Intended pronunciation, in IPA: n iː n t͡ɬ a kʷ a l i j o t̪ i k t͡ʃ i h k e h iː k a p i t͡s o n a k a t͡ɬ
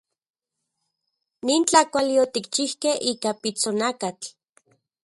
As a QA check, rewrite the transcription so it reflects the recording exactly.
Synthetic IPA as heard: n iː n t͡ɬ a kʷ a l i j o t̪ i k t͡ʃ i h k e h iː k a p i t͡s o n a k a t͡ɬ